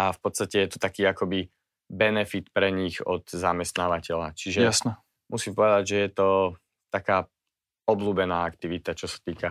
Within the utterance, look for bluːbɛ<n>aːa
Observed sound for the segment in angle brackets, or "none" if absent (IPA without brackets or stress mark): n